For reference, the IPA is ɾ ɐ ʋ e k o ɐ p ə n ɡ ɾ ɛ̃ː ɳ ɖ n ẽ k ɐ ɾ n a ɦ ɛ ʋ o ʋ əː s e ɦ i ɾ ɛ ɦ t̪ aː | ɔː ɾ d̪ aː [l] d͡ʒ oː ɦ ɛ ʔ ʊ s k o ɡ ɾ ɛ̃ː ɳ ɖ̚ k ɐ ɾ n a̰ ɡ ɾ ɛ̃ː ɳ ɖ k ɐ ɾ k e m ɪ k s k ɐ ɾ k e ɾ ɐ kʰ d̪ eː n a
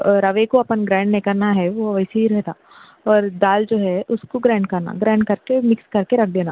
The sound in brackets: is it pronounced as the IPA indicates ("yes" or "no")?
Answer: yes